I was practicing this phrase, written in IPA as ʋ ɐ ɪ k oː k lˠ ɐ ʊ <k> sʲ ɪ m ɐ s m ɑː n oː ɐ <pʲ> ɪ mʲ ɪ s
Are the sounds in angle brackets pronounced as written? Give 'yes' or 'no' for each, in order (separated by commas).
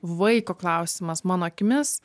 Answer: no, no